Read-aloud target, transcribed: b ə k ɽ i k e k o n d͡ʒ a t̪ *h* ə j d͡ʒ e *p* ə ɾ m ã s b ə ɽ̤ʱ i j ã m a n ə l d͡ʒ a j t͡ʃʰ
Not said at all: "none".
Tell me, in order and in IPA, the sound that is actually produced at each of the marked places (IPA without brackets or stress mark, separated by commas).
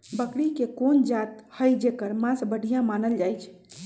h, k